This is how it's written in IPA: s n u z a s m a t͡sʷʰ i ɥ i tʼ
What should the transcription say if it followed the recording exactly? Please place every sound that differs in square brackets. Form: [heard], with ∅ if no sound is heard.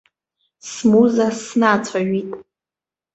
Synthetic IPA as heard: s [m] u z a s [n] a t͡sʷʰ [a] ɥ i tʼ